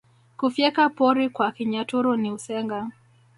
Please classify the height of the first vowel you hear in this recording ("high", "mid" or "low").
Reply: high